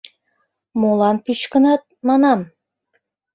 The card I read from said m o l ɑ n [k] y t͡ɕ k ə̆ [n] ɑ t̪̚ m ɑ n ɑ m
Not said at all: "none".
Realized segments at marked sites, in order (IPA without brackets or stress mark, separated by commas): p, n